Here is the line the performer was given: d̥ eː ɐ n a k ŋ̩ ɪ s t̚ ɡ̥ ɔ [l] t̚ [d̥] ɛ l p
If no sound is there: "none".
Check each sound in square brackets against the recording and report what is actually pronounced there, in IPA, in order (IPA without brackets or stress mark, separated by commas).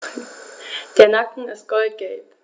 l, ɡ̥